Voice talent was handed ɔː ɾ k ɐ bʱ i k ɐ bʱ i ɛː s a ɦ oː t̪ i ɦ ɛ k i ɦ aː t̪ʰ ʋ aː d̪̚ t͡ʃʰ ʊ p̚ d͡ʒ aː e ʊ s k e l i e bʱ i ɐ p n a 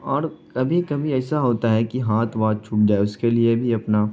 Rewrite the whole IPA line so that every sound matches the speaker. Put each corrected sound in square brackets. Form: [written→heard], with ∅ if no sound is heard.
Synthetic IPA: ɔː ɾ k ɐ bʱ i k ɐ bʱ i ɛː s a ɦ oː t̪ [i→a] ɦ ɛ k i ɦ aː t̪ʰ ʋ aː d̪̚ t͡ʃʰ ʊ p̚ d͡ʒ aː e ʊ s k e l i e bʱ i ɐ p n a